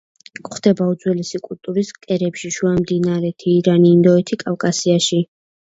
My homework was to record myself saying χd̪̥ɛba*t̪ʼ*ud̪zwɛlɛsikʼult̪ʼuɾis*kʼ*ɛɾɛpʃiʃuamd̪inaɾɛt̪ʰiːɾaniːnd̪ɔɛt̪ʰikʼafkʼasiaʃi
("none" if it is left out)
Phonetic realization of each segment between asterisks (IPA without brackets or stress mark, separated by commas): none, kʼ